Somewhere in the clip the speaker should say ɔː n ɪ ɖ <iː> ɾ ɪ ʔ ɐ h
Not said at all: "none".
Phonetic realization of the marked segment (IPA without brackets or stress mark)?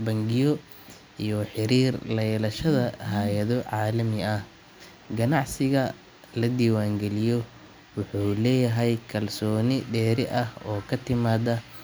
ɛː